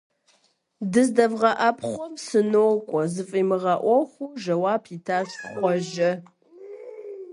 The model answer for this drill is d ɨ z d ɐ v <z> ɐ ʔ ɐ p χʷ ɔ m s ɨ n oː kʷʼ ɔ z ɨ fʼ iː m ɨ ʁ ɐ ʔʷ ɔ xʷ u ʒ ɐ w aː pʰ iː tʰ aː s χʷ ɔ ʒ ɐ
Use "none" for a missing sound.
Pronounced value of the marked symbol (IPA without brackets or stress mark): ʁ